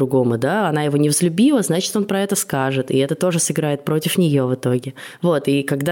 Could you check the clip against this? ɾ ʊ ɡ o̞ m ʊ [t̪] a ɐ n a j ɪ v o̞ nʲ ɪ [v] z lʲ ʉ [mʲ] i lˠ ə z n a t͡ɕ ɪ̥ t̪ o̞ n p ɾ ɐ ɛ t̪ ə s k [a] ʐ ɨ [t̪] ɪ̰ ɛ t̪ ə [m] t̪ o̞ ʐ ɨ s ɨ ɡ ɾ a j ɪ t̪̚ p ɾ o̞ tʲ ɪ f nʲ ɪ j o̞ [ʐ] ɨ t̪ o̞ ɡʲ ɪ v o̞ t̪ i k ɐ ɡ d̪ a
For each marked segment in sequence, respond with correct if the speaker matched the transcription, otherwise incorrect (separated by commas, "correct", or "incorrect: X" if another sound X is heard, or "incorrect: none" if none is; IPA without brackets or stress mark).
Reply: incorrect: d̪, correct, incorrect: bʲ, correct, correct, incorrect: none, incorrect: v